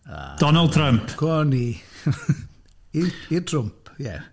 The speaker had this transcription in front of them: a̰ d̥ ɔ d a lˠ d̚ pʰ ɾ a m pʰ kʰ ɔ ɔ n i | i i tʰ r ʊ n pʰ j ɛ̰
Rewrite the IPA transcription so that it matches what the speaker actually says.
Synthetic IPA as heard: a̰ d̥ ɔ n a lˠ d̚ tʰ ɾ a m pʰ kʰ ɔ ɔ n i | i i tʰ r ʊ m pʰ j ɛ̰